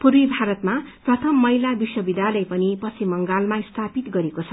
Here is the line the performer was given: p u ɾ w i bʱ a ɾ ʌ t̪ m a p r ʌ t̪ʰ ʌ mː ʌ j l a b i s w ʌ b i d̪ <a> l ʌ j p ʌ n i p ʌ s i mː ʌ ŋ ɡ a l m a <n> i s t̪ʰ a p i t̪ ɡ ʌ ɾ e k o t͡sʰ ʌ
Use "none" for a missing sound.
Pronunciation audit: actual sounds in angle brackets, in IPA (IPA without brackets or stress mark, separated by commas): a, none